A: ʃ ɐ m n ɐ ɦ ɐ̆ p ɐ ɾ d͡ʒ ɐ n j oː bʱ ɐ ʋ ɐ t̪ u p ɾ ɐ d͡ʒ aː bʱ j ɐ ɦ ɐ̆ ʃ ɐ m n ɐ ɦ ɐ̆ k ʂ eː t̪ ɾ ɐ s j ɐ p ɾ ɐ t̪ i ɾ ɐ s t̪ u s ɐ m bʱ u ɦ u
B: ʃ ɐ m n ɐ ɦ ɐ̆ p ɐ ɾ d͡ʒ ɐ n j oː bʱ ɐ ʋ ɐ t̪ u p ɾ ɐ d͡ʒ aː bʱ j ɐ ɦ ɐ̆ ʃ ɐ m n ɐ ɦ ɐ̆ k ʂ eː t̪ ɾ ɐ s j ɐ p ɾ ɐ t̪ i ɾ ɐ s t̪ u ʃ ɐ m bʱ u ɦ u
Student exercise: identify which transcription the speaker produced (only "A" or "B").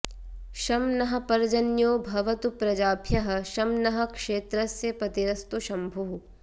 B